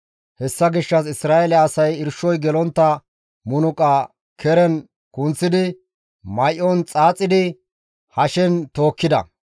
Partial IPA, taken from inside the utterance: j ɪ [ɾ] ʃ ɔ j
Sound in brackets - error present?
no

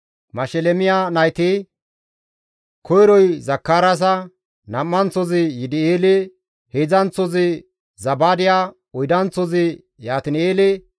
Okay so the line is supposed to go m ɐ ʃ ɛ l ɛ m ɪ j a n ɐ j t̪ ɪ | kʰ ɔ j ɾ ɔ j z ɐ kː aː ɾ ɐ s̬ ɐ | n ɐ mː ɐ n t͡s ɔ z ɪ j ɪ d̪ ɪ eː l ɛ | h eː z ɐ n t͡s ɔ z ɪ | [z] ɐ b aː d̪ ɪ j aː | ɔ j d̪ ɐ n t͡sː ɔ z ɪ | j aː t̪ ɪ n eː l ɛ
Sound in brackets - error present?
no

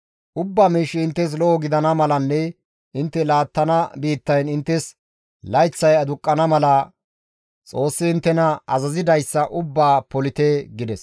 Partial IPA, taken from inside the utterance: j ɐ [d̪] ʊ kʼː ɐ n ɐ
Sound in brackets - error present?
no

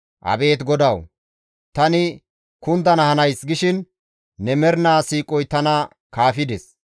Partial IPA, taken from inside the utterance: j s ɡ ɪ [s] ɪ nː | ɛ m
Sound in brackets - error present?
yes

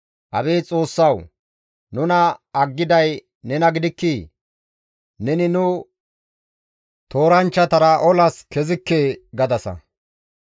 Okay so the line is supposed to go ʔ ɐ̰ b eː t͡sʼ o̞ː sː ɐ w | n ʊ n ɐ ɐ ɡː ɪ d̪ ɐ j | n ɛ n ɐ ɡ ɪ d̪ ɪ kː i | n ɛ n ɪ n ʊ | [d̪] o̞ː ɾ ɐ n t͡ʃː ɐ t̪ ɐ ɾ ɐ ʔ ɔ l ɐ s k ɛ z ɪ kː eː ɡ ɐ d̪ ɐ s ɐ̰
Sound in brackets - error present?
yes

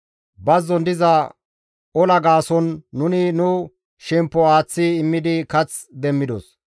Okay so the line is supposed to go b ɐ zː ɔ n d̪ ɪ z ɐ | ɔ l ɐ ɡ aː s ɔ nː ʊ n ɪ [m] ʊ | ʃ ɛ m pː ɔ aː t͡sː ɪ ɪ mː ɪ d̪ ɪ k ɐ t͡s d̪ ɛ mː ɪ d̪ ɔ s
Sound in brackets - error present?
yes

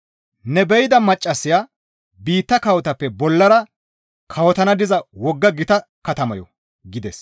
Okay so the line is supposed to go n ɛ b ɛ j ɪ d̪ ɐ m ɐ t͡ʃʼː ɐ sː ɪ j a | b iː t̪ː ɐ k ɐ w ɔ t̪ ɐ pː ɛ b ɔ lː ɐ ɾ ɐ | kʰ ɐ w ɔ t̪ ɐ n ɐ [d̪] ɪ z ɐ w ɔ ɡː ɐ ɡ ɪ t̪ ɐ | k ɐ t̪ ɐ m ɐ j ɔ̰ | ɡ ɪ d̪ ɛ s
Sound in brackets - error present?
no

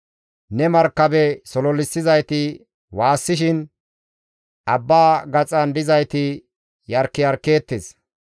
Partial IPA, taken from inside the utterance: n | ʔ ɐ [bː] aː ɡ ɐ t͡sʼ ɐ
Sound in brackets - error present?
no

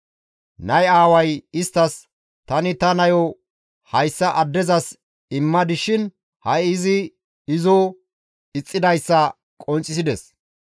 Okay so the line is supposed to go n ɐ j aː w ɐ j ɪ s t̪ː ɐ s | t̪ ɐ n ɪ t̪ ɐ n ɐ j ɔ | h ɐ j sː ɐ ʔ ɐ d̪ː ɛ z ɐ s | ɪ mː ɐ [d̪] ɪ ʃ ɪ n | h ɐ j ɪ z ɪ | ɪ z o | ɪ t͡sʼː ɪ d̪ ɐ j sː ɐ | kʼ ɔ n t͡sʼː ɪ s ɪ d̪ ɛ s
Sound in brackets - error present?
no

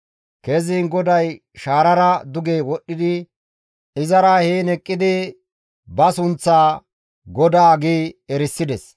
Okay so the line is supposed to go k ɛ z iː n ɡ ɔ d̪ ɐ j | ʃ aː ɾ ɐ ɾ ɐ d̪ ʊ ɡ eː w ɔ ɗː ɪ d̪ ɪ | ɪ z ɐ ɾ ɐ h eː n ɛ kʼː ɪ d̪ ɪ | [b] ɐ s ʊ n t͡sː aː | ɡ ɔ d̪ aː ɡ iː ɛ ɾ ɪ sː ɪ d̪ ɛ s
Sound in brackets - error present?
no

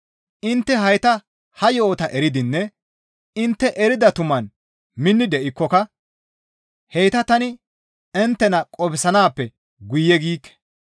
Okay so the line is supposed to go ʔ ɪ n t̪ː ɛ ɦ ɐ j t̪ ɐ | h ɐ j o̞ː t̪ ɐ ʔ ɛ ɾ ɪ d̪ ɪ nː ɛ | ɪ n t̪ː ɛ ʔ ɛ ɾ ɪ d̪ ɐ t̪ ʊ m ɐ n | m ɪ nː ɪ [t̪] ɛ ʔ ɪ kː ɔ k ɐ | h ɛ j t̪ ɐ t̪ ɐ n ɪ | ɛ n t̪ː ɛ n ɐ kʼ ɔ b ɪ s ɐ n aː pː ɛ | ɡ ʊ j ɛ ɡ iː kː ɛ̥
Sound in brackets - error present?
yes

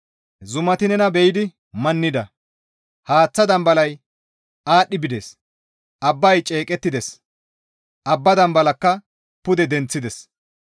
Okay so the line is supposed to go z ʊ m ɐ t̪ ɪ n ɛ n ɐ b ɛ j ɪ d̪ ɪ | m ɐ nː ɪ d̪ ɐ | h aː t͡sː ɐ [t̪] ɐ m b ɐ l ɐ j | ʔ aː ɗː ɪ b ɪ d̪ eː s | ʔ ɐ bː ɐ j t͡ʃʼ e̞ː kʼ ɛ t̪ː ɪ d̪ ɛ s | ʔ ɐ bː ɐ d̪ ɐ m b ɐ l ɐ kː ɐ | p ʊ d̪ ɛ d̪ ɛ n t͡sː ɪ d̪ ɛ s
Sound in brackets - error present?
yes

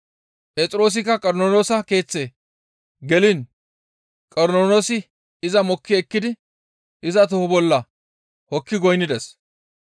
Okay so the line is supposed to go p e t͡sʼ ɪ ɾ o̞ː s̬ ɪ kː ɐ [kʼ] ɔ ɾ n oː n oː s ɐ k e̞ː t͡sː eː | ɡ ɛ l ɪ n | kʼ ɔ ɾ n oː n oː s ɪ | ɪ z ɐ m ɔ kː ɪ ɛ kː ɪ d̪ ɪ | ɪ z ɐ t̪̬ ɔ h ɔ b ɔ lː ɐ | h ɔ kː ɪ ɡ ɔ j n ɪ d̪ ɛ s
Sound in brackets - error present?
no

